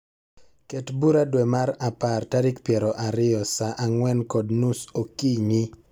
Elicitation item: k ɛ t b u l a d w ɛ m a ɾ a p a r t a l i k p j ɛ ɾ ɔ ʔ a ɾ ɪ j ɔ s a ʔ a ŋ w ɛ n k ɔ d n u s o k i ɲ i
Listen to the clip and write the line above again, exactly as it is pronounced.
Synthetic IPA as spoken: k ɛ t b u ɾ a d w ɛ m a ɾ a p a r t a ɾ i k p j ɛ ɾ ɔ ʔ a ɾ ɪ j ɔ s a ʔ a ŋ w ɛ n k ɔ d n u s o k i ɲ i